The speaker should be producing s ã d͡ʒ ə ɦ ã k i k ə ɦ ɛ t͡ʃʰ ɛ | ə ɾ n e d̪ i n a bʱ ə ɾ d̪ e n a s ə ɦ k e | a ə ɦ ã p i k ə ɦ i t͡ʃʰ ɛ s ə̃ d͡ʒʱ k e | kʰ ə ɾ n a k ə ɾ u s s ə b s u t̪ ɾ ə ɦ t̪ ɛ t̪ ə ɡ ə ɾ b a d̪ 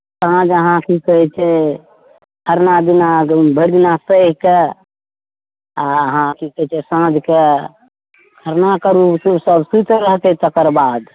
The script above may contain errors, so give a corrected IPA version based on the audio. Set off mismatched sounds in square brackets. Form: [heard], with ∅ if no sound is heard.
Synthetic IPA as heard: s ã d͡ʒ ə ɦ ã k i k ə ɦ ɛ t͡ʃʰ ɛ | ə ɾ n [a] d̪ i n a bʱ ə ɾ d̪ [i] n a s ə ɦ k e | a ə ɦ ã [k] i k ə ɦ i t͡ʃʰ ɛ s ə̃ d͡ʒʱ k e | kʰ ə ɾ n a k ə ɾ u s s ə b s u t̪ ɾ ə ɦ t̪ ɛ t̪ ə [k] ə ɾ b a d̪